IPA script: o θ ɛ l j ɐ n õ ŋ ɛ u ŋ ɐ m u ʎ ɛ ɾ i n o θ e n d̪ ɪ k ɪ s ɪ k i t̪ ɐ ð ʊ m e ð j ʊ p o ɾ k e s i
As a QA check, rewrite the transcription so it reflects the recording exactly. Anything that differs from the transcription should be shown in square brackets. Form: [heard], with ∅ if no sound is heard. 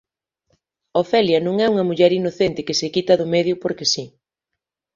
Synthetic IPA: o [f] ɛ l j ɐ n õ ŋ ɛ u ŋ ɐ m u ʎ ɛ ɾ i n o θ e n [t̪] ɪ k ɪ s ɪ k i t̪ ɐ ð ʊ m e ð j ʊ p o ɾ k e s i